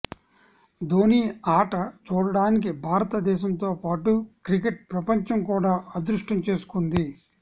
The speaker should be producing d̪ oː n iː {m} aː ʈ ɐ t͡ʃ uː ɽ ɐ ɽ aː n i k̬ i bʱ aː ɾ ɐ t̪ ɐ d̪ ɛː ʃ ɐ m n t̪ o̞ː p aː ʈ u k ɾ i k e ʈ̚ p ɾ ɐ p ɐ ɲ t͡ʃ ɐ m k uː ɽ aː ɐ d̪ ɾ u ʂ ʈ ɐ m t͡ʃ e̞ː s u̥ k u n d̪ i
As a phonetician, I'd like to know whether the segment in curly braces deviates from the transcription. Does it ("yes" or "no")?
yes